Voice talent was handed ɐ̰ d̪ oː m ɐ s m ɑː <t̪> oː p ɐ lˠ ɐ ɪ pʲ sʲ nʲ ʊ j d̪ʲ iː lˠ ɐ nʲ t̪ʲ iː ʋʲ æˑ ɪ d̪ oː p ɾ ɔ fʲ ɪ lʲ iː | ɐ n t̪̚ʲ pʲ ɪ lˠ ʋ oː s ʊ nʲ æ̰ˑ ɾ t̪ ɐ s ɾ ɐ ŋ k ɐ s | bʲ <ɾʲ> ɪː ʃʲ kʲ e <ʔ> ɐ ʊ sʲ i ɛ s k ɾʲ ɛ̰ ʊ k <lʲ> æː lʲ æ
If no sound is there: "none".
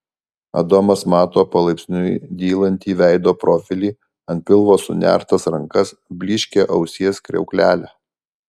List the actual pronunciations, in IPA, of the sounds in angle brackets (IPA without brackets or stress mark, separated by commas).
t̪, lʲ, ʔ, lʲ